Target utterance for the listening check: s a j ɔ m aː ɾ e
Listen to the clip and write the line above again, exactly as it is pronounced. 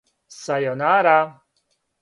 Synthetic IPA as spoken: s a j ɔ n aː ɾ a